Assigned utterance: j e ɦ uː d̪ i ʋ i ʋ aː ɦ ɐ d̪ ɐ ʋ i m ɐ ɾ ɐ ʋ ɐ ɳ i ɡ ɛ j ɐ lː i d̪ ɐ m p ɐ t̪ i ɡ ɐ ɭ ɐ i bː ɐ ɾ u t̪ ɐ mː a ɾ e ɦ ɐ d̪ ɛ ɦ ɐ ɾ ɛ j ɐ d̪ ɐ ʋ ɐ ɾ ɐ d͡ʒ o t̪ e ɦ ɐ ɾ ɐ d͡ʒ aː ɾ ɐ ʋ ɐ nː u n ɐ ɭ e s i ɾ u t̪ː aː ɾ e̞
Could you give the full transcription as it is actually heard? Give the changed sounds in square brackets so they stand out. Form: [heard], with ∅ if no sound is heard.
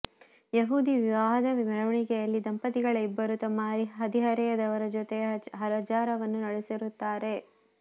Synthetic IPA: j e ɦ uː d̪ i ʋ i ʋ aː ɦ ɐ d̪ ɐ ʋ i m ɐ ɾ ɐ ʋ ɐ ɳ i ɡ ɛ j ɐ lː i d̪ ɐ m p ɐ t̪ i ɡ ɐ ɭ ɐ i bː ɐ ɾ u t̪ ɐ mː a ɾ [i] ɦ ɐ d̪ [i] ɦ ɐ ɾ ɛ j ɐ d̪ ɐ ʋ ɐ ɾ ɐ d͡ʒ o t̪ e ɦ ɐ ɾ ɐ d͡ʒ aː ɾ ɐ ʋ ɐ nː u n ɐ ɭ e s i ɾ u t̪ː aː ɾ e̞